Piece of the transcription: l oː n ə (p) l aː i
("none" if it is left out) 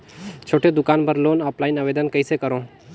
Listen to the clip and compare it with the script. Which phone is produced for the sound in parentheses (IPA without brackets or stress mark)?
p